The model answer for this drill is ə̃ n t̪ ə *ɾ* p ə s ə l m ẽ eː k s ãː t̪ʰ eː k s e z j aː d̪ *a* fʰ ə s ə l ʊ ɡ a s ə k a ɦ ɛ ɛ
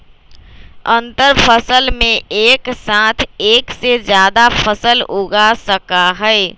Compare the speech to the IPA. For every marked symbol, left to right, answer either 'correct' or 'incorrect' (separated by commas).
correct, correct